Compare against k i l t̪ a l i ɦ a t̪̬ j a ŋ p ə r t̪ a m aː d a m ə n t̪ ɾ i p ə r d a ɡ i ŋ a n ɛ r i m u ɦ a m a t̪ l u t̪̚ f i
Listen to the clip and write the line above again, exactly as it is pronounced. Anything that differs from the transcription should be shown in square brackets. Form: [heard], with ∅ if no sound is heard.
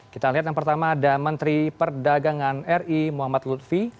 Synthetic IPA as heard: k i [∅] t̪ a l i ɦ a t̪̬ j a ŋ p ə r t̪ a m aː d a m ə n t̪ ɾ i p ə r d a ɡ [a] ŋ a n ɛ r i m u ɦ a m a t̪ l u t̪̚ f i